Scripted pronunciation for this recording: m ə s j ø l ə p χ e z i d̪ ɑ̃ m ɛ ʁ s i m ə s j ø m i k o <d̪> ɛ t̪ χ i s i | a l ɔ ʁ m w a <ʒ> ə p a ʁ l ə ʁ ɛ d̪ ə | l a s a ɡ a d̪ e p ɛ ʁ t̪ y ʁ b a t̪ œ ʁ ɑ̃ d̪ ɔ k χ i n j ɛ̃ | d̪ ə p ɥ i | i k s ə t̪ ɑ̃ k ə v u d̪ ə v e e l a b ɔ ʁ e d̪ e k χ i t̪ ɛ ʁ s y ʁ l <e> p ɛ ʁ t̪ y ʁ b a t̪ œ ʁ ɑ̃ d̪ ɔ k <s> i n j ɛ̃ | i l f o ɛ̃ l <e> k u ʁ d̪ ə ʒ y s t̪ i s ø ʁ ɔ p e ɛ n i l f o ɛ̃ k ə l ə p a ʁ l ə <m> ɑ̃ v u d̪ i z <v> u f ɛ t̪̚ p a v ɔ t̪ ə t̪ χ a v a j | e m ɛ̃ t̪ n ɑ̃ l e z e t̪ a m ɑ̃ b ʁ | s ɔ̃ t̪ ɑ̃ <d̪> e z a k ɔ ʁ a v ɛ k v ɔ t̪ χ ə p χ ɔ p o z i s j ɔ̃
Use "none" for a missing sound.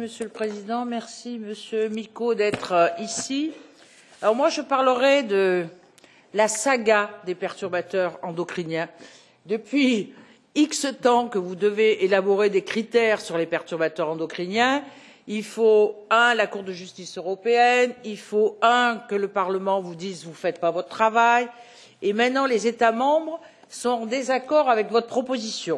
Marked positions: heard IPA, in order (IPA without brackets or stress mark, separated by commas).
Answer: d̪, ʒ, e, χ, a, m, v, d̪